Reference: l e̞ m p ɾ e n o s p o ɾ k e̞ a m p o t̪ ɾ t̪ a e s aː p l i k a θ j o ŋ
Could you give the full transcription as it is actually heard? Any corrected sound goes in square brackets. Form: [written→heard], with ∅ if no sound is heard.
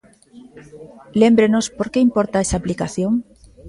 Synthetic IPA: l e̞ m [p→b] ɾ e n o s p o ɾ k e̞ [a→i] m p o [t̪→∅] ɾ t̪ a e s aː p l i k a θ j o ŋ